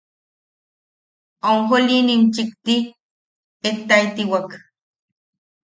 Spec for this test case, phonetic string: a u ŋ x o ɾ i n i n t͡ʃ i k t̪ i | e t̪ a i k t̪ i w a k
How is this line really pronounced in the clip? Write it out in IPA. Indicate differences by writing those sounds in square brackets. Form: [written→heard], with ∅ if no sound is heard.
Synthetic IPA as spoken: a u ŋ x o [ɾ→l] i n i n t͡ʃ i k t̪ i | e t̪ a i [k→∅] t̪ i w a k